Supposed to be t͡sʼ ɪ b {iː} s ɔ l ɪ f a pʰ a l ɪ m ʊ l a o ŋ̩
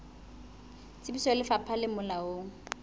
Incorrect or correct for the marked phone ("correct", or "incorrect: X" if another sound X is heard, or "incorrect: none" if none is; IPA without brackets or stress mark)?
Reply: incorrect: i